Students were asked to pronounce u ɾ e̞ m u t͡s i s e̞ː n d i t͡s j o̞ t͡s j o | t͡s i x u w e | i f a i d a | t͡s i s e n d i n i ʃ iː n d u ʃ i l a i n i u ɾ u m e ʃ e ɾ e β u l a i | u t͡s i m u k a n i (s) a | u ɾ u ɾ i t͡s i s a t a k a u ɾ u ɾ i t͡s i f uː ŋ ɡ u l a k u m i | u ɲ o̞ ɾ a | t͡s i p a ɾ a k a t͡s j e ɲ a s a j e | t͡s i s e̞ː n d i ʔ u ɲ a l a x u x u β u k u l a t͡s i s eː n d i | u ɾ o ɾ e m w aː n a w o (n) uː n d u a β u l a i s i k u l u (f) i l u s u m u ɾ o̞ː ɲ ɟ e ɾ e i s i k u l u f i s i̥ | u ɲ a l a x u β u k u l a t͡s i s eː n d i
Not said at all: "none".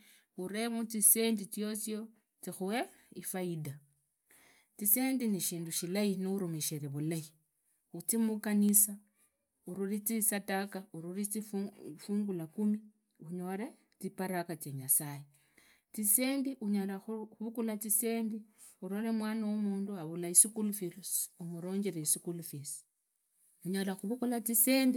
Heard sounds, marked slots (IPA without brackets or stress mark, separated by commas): s, m, f